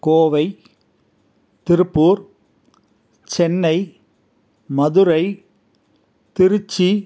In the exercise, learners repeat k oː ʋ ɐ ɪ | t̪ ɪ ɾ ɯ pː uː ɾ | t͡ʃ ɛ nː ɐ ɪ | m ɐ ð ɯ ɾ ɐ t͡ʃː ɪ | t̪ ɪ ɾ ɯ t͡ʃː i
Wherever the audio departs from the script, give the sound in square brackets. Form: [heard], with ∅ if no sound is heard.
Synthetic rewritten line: k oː ʋ ɐ ɪ | t̪ ɪ ɾ ɯ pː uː ɾ | t͡ʃ ɛ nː ɐ ɪ | m ɐ ð ɯ ɾ ɐ [∅] ɪ | t̪ ɪ ɾ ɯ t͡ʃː i